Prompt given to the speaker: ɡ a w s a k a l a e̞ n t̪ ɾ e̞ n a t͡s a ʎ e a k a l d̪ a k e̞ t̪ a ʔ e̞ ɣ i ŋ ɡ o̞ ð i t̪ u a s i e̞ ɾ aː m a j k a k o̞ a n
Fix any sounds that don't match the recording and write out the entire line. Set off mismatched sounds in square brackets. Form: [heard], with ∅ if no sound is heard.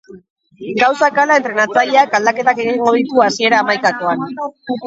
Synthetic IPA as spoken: ɡ a w s a k a l a e̞ n t̪ ɾ e̞ n a t͡s a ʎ e a k a l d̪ a k e̞ t̪ a [k] e̞ ɣ i ŋ ɡ o̞ ð i t̪ u a s i e̞ ɾ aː m a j k a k o̞ a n

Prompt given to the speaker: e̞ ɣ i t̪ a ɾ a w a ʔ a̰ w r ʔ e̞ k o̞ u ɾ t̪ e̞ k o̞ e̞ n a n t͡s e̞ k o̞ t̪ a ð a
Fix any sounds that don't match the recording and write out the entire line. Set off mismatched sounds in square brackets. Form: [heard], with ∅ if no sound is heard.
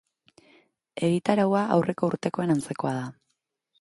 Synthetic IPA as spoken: e̞ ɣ i t̪ a ɾ a w a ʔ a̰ w r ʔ e̞ k o̞ u ɾ t̪ e̞ k o̞ e̞ n a n t͡s e̞ k o̞ [∅] a ð a

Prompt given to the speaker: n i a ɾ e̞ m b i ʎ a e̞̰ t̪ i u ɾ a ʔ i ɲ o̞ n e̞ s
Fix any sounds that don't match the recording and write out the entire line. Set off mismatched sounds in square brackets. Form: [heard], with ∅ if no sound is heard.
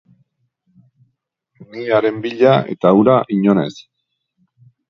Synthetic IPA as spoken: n i a ɾ e̞ m b i ʎ a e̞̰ t̪ [a] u ɾ a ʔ i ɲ o̞ n e̞ s

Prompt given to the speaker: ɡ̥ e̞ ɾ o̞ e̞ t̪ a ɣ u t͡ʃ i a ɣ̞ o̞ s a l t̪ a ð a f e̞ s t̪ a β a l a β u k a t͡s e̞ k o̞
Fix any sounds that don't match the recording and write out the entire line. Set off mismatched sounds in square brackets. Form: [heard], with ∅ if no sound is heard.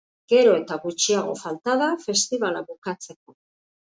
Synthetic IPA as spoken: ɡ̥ e̞ ɾ o̞ e̞ t̪ a ɣ u t͡ʃ i a ɣ̞ o̞ [f] a l t̪ a ð a f e̞ s t̪ [i] β a l a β u k a t͡s e̞ k o̞

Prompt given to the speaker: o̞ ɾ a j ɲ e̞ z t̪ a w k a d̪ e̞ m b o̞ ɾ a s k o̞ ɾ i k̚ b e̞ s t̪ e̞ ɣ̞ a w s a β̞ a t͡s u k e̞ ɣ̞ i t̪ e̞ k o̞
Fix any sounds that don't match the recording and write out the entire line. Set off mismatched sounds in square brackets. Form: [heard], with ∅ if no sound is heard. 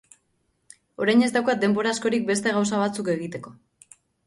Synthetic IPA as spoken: o̞ ɾ a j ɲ e̞ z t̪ a w k a d̪ e̞ m b o̞ ɾ a s k o̞ ɾ i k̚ b e̞ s t̪ e̞ ɣ̞ a w s a β̞ a t͡s u k e̞ ɣ̞ i t̪ e̞ k o̞

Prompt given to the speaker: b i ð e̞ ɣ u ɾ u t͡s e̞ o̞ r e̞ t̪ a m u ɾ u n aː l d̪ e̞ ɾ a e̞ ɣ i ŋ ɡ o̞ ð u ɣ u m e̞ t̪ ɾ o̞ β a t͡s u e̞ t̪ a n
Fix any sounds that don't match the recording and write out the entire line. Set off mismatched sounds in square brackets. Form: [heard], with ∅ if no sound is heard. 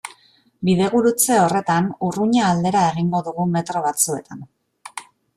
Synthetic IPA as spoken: b i ð e̞ ɣ u ɾ u t͡s e̞ o̞ r e̞ t̪ a [n] u [r] u [ɲ] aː l d̪ e̞ ɾ a e̞ ɣ i ŋ ɡ o̞ ð u ɣ u m e̞ t̪ ɾ o̞ β a t͡s u e̞ t̪ a n

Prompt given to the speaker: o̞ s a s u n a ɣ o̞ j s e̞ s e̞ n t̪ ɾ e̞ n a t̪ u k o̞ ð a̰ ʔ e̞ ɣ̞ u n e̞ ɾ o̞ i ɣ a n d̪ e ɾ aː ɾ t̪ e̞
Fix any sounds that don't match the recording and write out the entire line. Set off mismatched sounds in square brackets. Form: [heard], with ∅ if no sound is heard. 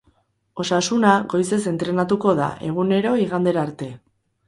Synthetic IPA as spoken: o̞ s a s u n a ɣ o̞ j s e̞ s e̞ n t̪ ɾ e̞ n a t̪ u k o̞ ð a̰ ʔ e̞ ɣ̞ u n e̞ ɾ o̞ i ɣ a n d̪ e ɾ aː ɾ t̪ e̞

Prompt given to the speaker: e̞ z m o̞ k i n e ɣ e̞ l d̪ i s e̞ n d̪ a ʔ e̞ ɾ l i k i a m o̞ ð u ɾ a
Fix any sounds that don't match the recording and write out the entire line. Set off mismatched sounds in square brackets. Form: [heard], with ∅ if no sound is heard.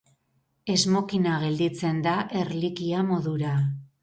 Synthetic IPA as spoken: e̞ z m o̞ k i n [a] ɣ e̞ l d̪ i [t͡s] e̞ n d̪ a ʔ e̞ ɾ l i k i a m o̞ ð u ɾ a

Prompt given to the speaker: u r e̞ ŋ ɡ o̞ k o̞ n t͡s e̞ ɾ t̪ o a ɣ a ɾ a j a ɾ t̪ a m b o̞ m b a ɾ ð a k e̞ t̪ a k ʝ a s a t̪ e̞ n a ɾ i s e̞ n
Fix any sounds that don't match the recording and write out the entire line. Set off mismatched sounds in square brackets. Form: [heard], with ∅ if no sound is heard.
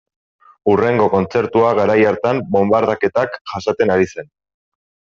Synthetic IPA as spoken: u r e̞ ŋ ɡ o̞ k o̞ n t͡s e̞ ɾ t̪ [u] a ɣ a ɾ a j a ɾ t̪ a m b o̞ m b a ɾ ð a k e̞ t̪ a k ʝ a s a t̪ e̞ n a ɾ i s e̞ n

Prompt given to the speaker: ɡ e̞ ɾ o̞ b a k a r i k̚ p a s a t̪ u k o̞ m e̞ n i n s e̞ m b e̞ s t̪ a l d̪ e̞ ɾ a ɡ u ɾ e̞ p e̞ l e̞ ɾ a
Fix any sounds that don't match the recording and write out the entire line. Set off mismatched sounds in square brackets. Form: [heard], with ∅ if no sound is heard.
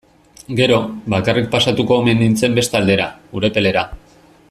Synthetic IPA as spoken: ɡ e̞ ɾ o̞ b a k a r i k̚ p a s a t̪ u k o̞ m e̞ n i n [t͡s] e̞ m b e̞ s t̪ a l d̪ e̞ ɾ a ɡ u ɾ e̞ p e̞ l e̞ ɾ a

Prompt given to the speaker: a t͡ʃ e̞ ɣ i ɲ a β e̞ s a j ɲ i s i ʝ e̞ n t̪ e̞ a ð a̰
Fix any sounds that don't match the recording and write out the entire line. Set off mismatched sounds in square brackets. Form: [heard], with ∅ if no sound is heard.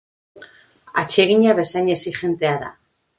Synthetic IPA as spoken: a t͡ʃ e̞ ɣ i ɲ a β e̞ s a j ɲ [e] s i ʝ e̞ n t̪ e̞ a ð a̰

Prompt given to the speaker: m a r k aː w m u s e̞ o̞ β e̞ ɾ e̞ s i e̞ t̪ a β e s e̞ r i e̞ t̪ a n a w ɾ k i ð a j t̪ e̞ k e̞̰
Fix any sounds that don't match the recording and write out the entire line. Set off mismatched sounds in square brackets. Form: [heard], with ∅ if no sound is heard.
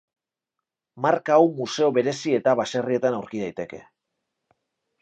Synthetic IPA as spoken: m a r k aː w m u s e̞ o̞ β e̞ ɾ e̞ s i e̞ t̪ a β [a] s e̞ r i e̞ t̪ a n a w ɾ k i ð a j t̪ e̞ k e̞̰

